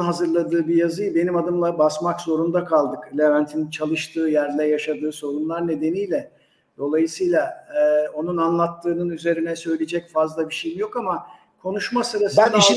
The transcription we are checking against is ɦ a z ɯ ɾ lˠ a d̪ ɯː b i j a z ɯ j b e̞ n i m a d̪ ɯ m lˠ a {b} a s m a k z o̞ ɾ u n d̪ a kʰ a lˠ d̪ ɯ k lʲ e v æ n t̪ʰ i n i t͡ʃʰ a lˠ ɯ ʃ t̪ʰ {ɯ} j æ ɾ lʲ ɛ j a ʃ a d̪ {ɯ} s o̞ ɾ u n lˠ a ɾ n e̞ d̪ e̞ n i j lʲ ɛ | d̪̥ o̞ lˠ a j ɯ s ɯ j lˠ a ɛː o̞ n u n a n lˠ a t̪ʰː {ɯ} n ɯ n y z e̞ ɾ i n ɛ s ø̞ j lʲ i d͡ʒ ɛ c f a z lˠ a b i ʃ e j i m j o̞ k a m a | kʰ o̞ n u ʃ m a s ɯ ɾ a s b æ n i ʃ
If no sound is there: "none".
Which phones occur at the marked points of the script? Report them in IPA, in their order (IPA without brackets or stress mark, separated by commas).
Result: b, ɯː, ɯː, ɯː